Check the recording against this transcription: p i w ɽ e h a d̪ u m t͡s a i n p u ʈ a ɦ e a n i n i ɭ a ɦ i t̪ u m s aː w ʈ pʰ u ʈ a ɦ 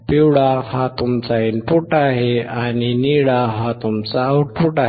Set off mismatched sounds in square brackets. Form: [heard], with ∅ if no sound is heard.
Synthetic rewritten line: p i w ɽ [a] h a [t̪] u m t͡s a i n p u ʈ a ɦ e a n i n i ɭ a ɦ [a] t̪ u m [t͡s] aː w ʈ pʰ u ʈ a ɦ